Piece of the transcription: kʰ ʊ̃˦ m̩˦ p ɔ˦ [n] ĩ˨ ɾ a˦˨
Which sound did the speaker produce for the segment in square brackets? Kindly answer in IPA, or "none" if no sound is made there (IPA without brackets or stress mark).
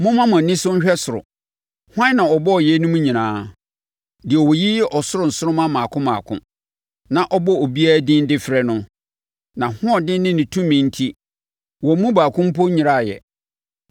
ɲ